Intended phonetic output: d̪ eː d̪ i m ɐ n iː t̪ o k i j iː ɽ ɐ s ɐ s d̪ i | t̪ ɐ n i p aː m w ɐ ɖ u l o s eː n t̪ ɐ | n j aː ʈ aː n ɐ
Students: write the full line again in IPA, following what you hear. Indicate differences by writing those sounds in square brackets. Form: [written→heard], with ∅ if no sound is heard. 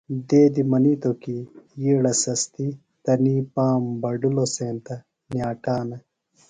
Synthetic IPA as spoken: d̪ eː d̪ i m ɐ n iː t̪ o k i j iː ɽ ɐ s ɐ s [d̪→t̪] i | t̪ ɐ n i p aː m [w→b] ɐ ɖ u l o s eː n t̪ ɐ | n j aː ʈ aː n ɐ